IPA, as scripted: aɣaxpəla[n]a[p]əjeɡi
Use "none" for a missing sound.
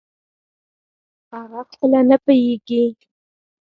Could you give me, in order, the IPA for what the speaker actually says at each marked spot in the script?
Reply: n, p

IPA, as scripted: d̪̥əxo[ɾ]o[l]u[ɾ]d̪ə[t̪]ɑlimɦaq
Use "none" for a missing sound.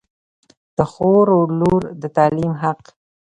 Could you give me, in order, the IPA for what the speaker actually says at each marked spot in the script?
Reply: ɾ, l, ɾ, t̪

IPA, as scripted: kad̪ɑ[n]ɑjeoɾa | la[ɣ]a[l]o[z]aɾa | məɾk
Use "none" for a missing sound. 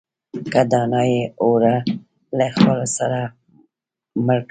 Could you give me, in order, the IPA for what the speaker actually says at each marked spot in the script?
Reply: n, x, l, s

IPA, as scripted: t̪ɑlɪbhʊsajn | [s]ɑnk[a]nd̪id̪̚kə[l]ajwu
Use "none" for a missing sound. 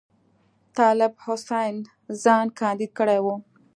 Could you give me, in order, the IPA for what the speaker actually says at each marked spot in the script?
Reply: z, ɑ, ɽ

